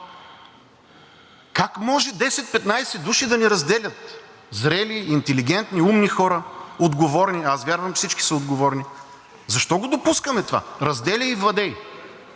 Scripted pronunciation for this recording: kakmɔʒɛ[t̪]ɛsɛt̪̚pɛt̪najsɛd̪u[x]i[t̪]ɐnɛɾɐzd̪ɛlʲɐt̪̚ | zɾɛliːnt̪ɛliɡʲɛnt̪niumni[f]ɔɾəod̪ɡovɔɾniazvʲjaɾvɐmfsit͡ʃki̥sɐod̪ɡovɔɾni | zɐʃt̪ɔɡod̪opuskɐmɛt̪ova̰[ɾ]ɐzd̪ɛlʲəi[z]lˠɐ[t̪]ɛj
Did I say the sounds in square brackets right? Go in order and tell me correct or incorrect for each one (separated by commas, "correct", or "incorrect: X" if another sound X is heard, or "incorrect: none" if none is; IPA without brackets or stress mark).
incorrect: d̪, incorrect: ʃ, incorrect: d̪, incorrect: x, correct, incorrect: v, incorrect: d̪